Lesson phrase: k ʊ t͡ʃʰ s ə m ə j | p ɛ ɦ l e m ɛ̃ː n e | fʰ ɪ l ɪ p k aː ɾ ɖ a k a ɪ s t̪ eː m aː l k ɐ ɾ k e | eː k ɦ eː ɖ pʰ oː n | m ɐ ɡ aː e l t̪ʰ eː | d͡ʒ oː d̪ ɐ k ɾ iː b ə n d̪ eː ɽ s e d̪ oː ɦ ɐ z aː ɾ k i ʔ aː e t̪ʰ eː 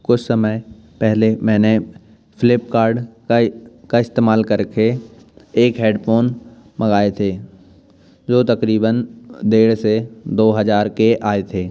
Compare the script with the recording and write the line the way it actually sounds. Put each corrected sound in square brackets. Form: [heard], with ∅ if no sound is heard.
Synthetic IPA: k ʊ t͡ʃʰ s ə m ə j | p ɛ ɦ l e m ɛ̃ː n e | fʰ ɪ l ɪ p k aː ɾ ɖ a k a ɪ s t̪ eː m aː l k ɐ ɾ k e | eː k ɦ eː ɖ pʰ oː n | m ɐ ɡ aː e [∅] t̪ʰ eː | d͡ʒ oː [t̪] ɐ k ɾ iː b ə n d̪ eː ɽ s e d̪ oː ɦ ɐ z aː ɾ k [e] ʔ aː e t̪ʰ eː